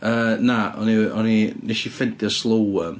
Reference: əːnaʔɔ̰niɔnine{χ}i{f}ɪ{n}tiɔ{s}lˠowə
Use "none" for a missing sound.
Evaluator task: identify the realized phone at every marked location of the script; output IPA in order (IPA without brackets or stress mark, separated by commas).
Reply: ʃ, f, n, s